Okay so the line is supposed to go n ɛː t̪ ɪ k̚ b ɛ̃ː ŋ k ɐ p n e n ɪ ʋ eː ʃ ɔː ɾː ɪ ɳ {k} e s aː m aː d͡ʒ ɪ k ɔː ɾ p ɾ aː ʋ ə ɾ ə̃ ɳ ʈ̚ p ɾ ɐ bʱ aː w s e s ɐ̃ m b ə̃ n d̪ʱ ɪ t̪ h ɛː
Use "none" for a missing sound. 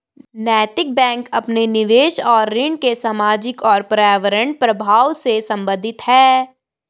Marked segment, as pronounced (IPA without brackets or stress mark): k